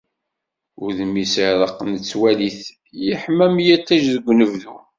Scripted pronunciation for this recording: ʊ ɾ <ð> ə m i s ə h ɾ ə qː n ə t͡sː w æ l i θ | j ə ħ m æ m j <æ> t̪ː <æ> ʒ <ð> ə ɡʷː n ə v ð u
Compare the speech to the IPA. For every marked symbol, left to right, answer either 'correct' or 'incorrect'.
correct, correct, correct, correct

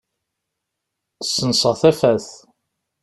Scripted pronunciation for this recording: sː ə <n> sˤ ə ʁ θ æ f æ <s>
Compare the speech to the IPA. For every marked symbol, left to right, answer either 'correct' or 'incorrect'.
correct, incorrect: θ

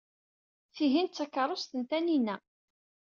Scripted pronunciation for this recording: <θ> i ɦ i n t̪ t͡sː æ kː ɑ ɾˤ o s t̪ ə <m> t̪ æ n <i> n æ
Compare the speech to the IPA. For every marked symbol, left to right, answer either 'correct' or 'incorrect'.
correct, incorrect: n, correct

